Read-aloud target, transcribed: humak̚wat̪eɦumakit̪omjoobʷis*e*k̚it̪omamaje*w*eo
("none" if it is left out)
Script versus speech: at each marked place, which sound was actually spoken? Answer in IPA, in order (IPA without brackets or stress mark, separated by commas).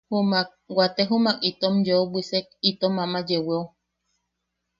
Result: e, w